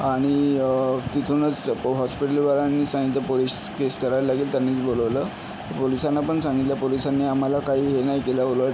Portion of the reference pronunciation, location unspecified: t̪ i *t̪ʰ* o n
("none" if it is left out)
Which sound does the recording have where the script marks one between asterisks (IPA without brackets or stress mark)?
t̪ʰ